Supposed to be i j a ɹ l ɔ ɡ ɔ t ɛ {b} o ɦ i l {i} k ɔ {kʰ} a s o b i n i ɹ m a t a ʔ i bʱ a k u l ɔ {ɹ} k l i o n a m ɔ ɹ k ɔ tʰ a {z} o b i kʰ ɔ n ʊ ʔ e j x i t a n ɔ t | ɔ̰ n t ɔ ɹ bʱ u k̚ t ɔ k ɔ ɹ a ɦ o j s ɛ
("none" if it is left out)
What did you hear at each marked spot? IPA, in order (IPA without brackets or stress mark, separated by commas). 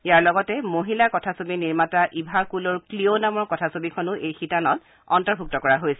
m, a, tʰ, ɹ, s